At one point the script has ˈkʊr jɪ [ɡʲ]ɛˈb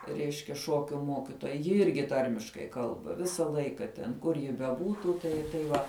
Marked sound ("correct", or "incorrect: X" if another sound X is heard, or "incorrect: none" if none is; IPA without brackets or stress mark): incorrect: bʲ